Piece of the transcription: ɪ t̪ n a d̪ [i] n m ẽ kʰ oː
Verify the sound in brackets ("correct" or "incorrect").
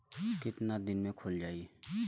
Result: incorrect